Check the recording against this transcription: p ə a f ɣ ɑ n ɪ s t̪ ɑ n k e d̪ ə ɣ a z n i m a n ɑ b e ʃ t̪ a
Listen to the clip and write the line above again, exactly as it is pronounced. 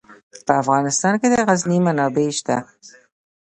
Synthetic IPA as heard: p ə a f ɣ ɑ n ɪ s t̪ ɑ n k e d̪ ə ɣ a z n i m a n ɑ b e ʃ t̪ a